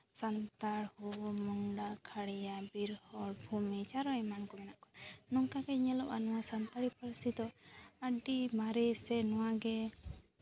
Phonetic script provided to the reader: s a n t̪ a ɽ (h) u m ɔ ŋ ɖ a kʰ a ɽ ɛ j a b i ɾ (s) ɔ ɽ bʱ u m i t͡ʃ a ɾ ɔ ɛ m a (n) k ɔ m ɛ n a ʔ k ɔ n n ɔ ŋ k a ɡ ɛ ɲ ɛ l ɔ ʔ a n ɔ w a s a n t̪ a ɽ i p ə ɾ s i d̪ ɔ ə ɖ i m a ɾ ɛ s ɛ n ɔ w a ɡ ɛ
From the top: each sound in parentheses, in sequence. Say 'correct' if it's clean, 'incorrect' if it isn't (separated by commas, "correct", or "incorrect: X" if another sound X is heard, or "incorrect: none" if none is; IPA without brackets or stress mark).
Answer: correct, incorrect: h, correct